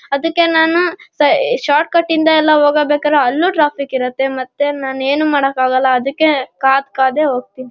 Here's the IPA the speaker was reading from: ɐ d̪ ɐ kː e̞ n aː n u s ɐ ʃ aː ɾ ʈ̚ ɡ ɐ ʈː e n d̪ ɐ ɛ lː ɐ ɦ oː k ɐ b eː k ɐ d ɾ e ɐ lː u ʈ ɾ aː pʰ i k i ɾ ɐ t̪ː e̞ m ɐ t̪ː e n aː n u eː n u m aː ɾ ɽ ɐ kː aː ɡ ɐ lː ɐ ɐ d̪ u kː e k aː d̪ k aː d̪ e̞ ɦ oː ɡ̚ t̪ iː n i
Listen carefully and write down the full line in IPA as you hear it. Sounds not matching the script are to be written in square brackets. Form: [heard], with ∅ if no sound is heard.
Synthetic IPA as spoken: ɐ d̪ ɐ kː e̞ n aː n u s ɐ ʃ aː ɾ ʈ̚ [k] ɐ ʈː [i] n d̪ ɐ ɛ lː ɐ ɦ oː [ɡ] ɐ b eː k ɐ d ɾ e ɐ lː u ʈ ɾ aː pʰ i k i ɾ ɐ t̪ː e̞ m ɐ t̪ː e n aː n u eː n u m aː [∅] ɽ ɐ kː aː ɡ ɐ lː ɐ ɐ d̪ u kː e k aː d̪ k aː d̪ e̞ ɦ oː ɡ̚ t̪ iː n i